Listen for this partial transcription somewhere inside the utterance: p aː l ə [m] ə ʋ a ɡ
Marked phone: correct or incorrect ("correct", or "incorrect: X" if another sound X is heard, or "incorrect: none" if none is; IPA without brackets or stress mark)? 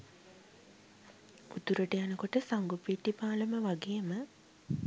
correct